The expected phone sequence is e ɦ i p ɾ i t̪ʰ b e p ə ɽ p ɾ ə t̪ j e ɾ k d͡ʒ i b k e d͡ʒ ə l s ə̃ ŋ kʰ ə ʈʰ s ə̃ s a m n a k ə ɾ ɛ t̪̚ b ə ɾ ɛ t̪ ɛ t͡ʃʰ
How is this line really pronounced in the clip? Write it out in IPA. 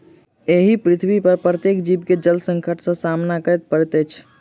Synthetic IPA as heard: e ɦ i p ɾ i t̪ʰ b i p ə ɾ p ɾ ə t̪ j e k d͡ʒ i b k e d͡ʒ ə l s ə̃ ŋ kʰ ə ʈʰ s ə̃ s a m n a k ə ɾ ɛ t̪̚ p ə ɾ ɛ t̪ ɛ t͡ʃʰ